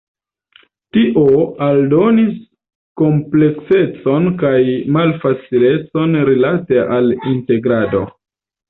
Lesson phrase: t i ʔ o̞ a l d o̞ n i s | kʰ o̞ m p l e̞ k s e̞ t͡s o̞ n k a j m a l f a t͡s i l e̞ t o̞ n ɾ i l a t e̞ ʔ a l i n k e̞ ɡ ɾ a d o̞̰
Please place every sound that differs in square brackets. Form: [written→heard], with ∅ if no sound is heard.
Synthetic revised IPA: t i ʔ o̞ a l d o̞ n i s | [kʰ→k] o̞ m p l e̞ k s e̞ t͡s o̞ n k a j m a l f a t͡s i l e̞ [t→t͡s] o̞ n ɾ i l a t e̞ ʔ a l i n [k→t] e̞ ɡ ɾ a d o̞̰